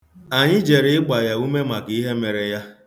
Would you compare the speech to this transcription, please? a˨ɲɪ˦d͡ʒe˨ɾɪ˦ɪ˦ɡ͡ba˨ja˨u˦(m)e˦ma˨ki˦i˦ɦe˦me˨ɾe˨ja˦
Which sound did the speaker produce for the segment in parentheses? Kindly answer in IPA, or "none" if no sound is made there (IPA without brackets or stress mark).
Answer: m